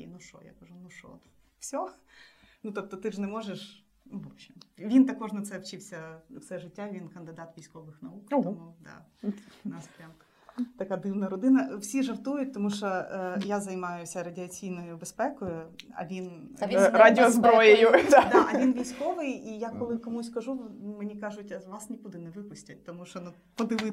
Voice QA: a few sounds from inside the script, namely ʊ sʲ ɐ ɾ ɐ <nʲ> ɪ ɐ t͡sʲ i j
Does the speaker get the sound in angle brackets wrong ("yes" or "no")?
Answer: yes